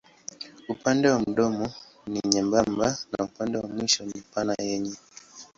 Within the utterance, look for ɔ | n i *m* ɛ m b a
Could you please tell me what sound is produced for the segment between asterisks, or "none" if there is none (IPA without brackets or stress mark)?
ɲ